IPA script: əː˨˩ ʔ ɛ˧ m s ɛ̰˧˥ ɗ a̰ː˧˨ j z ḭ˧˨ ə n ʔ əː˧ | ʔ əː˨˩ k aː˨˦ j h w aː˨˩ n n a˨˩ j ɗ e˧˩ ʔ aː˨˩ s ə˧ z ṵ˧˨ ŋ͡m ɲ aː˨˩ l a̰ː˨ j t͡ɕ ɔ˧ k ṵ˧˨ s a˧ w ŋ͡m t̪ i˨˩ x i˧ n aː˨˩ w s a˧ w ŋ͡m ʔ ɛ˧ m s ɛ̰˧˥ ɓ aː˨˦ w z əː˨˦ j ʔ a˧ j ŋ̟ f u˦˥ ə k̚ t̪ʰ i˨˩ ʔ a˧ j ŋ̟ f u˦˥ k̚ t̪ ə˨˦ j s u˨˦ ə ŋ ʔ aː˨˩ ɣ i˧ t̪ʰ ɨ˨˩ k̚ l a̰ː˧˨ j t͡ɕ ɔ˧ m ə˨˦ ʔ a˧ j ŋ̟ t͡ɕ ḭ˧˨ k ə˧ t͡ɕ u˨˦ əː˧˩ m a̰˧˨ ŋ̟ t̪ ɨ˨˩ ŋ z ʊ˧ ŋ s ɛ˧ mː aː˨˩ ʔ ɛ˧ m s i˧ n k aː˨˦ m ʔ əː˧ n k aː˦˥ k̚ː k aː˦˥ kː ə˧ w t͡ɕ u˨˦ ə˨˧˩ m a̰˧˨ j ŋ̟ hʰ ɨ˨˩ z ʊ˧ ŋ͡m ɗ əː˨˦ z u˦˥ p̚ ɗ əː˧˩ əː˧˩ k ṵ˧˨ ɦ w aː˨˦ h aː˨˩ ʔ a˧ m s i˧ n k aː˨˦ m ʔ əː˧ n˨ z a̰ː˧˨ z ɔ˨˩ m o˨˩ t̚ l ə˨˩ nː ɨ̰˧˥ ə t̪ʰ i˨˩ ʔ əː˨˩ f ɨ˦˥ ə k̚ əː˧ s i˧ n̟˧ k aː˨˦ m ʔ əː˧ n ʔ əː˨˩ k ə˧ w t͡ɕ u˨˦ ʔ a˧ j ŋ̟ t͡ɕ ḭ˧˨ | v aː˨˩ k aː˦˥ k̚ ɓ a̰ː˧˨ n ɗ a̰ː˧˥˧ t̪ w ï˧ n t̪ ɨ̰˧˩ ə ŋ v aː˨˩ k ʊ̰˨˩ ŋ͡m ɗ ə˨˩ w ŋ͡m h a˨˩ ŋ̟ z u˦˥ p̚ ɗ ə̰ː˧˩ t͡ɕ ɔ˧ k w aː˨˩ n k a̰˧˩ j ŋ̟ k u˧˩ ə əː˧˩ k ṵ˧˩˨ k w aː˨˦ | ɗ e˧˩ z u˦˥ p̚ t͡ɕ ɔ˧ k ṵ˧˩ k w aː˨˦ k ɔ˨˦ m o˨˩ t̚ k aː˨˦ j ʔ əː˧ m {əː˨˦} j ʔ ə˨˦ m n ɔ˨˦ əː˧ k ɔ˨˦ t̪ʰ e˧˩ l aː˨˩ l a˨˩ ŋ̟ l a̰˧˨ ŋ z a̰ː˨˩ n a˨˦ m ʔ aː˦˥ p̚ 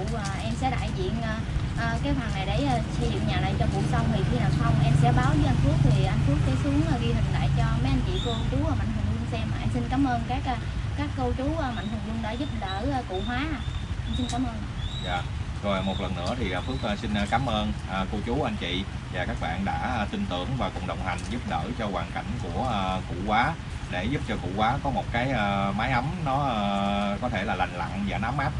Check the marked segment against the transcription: incorrect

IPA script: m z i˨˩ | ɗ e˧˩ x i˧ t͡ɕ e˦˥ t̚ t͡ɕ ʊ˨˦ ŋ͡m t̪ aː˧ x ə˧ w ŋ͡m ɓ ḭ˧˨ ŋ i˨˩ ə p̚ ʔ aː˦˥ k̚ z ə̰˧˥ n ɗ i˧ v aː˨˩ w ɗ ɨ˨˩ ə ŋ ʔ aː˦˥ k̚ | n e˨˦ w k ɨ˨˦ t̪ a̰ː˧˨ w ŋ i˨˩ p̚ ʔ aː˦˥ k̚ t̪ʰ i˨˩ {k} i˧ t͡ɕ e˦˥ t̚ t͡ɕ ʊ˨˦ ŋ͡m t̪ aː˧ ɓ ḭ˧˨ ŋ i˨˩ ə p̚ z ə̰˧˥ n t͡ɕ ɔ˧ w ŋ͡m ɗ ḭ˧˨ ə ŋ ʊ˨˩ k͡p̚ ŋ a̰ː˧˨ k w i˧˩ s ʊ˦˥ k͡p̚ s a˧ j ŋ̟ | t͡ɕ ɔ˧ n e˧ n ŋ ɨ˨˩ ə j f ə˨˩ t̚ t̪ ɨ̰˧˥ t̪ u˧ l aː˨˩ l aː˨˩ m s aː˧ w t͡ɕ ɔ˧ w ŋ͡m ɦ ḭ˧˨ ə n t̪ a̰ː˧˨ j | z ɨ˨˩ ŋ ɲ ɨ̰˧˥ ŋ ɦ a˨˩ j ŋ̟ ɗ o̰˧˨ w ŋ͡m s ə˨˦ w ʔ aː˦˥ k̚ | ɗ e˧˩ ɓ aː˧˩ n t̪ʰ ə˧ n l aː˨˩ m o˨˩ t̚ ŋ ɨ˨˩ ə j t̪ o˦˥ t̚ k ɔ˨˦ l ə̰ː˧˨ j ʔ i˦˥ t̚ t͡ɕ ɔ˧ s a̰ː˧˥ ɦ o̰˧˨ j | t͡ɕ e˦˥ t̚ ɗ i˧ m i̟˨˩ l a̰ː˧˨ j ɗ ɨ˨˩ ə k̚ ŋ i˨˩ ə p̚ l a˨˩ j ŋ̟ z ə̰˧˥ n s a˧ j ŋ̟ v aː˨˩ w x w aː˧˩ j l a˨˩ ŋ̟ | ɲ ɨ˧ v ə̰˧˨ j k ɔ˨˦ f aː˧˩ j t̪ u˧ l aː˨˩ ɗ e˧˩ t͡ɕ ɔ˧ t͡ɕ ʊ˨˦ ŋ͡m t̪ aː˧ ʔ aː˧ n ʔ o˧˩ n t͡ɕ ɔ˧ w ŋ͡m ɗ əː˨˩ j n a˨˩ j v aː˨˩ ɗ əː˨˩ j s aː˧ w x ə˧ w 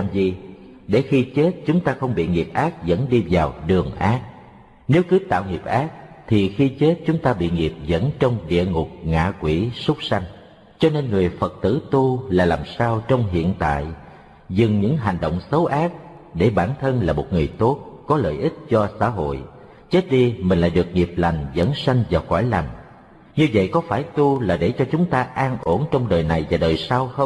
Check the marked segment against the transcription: incorrect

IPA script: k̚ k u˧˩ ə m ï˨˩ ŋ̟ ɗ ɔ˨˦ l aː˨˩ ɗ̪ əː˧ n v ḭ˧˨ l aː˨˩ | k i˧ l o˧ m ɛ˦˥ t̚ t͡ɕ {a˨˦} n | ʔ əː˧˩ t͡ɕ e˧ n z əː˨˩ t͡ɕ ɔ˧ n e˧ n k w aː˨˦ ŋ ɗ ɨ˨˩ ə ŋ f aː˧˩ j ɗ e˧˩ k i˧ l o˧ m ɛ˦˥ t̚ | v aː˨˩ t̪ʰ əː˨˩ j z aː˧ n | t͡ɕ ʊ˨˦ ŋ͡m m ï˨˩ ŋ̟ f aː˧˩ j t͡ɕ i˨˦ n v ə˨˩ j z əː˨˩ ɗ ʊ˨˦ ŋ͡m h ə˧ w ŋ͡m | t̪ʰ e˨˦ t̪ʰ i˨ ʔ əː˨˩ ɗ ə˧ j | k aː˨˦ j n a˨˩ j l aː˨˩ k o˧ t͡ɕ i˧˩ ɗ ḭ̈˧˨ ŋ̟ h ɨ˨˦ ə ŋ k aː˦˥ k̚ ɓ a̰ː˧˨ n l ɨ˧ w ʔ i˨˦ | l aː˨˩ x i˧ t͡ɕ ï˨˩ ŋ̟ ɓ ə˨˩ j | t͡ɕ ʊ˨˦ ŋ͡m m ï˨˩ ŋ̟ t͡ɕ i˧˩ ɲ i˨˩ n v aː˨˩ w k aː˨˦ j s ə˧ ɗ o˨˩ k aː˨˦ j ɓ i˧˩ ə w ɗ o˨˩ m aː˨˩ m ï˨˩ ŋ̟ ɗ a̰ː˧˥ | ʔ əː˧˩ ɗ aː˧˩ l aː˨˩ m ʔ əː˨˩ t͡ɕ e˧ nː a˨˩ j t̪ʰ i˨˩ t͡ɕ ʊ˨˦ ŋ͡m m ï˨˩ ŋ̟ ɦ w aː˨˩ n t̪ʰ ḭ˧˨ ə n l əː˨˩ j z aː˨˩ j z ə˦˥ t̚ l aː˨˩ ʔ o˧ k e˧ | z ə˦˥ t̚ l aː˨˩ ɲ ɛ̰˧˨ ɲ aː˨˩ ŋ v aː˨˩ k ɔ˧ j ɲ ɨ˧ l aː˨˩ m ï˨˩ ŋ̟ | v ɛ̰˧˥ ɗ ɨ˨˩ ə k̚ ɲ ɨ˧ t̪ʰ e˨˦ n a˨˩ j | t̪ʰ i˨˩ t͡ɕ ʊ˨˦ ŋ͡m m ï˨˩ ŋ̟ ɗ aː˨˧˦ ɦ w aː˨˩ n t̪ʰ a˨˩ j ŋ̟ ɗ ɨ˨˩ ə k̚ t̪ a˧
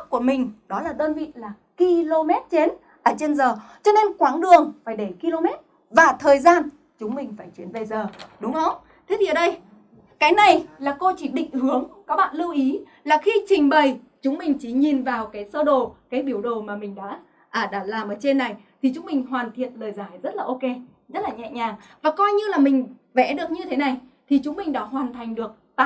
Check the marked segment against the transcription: incorrect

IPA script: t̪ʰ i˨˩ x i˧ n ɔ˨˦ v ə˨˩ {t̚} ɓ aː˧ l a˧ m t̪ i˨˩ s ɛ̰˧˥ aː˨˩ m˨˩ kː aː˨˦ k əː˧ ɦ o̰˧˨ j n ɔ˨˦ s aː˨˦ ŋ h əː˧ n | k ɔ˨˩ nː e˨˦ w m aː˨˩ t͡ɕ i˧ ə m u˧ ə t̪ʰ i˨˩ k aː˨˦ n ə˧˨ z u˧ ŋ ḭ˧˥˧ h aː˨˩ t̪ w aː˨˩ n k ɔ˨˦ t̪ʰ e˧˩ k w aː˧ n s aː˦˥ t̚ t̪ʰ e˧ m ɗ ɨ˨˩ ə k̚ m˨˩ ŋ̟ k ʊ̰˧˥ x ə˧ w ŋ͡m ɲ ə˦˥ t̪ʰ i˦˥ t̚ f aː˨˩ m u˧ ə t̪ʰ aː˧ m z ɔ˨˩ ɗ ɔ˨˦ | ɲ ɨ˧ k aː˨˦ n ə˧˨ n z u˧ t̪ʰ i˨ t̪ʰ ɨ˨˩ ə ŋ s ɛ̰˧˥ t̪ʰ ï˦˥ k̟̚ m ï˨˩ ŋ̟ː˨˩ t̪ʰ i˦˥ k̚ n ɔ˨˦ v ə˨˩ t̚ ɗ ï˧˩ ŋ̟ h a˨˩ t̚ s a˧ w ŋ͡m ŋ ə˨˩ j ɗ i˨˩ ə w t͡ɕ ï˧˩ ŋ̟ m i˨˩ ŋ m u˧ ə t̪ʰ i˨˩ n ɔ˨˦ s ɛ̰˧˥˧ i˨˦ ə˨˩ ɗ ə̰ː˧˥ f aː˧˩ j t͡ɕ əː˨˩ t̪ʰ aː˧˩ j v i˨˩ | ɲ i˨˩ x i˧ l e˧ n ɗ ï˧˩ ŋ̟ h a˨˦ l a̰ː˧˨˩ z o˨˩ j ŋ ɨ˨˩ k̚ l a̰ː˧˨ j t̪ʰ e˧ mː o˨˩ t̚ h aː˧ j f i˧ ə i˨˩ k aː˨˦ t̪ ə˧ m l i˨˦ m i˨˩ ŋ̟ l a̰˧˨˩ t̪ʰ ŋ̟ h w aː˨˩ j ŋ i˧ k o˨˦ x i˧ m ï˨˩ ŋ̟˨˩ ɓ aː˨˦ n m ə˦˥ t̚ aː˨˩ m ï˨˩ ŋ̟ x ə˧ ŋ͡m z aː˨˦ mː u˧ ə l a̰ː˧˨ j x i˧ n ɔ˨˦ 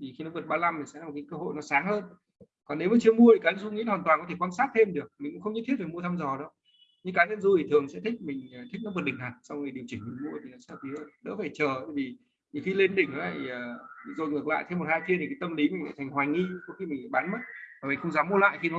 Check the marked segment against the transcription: correct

